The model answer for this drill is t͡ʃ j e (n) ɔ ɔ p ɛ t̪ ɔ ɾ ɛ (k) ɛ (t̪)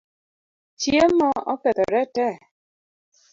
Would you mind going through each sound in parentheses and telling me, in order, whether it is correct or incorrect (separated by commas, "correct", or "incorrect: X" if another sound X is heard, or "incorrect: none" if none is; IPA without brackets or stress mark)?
incorrect: m, incorrect: t, incorrect: none